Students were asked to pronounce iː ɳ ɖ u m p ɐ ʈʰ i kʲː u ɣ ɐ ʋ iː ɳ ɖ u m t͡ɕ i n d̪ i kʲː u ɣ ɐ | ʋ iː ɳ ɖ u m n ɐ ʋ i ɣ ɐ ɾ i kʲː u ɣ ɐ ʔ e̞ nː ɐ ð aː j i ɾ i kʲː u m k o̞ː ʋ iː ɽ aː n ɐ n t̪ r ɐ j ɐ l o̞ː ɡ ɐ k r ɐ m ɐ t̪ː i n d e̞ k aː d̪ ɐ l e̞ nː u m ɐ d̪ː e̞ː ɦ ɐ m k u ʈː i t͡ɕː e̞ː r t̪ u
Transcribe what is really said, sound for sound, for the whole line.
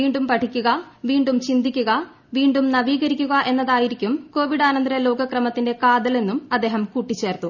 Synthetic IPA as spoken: iː ɳ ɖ u m p ɐ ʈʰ i kʲː u ɣ ɐ ʋ iː ɳ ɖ u m t͡ɕ i n d̪ i kʲː u ɣ ɐ | ʋ iː ɳ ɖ u m n ɐ ʋ iː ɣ ɐ ɾ i kʲː u ɣ ɐ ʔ e̞ nː ɐ ð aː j i ɾ i kʲː u m k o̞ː ʋ i ɽ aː n ɐ n d̪ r ɐ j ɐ l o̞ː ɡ ɐ k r ɐ m ɐ t̪ː i n d e̞ k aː d̪ ɐ l e̞ nː u m ɐ d̪ː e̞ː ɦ ɐ m k u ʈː i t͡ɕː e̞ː r t̪ u

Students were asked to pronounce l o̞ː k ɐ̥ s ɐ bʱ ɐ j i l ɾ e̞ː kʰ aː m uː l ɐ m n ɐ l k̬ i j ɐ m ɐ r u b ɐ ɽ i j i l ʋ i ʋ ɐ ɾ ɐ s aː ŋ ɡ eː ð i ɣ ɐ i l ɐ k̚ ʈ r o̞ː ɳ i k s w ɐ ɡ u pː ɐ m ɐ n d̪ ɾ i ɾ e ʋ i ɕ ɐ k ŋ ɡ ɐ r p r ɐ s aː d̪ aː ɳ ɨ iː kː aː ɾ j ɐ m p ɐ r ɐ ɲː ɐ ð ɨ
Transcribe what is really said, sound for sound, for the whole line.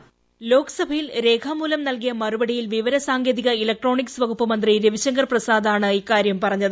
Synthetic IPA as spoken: l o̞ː k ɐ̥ s ɐ bʱ ɐ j i l ɾ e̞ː kʰ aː m uː l ɐ m n ɐ l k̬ i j ɐ m ɐ r u b ɐ ɽ i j i l ʋ i ʋ ɐ ɾ ɐ s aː ŋ ɡ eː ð i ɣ ɐ i l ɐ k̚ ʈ r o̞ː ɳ i k s ʋ ɐ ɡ u pː ɐ m ɐ n d̪ r i ɾ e ʋ i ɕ ɐ ŋ ɡ ɐ r p r ɐ s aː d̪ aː ɳ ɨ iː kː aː ɾ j ɐ m p ɐ r ɐ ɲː ɐ ð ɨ

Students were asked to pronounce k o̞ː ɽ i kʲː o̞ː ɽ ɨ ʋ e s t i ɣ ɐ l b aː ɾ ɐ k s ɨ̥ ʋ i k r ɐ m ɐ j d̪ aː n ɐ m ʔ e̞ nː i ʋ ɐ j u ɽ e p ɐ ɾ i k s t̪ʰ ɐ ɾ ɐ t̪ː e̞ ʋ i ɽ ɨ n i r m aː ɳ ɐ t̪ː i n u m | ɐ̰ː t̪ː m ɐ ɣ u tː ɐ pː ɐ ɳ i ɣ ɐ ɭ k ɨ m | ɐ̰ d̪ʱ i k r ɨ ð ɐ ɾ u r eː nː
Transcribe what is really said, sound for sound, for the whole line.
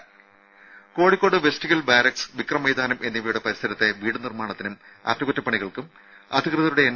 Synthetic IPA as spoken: k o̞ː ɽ i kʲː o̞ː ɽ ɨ ʋ e s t i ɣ ɐ l b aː ɾ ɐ k s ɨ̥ ʋ i k r ɐ m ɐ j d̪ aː n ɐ m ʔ e̞ nː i ʋ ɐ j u ɽ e p ɐ ɾ i s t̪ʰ ɐ ɾ ɐ t̪ː e̞ ʋ iː ɽ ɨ n i r m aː ɳ ɐ t̪ː i n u m | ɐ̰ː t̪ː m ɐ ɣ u tː ɐ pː ɐ ɳ i ɣ ɐ ɭ k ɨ m | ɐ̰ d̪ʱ i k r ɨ ð ɐ ɾ u ɽ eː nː

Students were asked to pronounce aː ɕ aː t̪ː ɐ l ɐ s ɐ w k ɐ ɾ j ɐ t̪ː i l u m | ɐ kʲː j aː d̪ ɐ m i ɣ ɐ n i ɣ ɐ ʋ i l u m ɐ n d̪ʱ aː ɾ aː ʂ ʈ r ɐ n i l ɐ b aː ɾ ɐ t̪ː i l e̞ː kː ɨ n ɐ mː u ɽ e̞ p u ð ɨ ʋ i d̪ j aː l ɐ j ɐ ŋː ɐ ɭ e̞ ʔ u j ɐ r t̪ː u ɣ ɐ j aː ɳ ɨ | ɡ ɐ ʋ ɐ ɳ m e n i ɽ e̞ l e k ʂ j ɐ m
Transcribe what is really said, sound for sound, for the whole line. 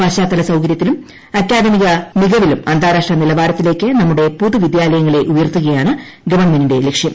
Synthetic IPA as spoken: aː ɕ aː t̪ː ɐ l ɐ s ɐ w k ɐ ɾ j ɐ t̪ː i l u m | ɐ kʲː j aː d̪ ɐ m i ɣ ɐ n i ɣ ɐ ʋ i l u m ɐ n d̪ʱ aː ɾ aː ʂ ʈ r ɐ n i l ɐ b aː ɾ ɐ t̪ː i l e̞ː kː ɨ n ɐ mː u ɽ e̞ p u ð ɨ ʋ i d̪ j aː l ɐ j ɐ ŋː ɐ ɭ e̞ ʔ u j ɐ r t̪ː u ɣ ɐ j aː ɳ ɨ | ɡ ɐ ʋ ɐ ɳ m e n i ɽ e̞ l e k ʂ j ɐ m

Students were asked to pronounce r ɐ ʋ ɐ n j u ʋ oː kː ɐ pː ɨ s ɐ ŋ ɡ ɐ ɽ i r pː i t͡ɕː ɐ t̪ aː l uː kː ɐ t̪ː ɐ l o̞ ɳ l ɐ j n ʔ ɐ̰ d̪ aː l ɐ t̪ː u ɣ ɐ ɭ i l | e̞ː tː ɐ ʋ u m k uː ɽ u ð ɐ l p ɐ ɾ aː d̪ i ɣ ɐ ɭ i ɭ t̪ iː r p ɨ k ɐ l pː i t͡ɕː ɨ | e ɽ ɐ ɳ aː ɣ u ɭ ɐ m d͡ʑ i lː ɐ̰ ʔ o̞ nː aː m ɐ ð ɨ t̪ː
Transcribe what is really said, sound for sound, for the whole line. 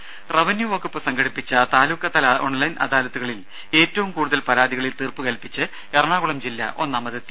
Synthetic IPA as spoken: r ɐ ʋ ɐ n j u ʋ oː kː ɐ pː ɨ s ɐ ŋ ɡ ɐ ɽ i pː i t͡ɕː ɐ t̪ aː l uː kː ɐ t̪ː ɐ l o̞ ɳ l ɐ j n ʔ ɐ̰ d̪ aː l ɐ t̪ː u ɣ ɐ ɭ i l | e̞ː tː ɐ ʋ u m k uː ɽ u ð ɐ l p ɐ ɾ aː d̪ i ɣ ɐ ɭ i l t̪ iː r p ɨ k ɐ l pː i t͡ɕː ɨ | e r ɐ ɳ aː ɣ u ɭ ɐ m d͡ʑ i lː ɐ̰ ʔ o̞ nː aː m ɐ ð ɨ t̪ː

